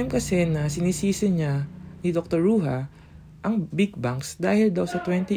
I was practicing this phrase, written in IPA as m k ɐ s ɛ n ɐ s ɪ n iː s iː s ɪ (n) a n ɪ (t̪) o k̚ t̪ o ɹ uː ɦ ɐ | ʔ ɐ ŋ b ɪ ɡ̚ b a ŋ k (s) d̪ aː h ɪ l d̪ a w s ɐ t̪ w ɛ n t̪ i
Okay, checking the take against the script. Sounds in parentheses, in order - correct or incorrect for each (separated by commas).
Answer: incorrect, incorrect, correct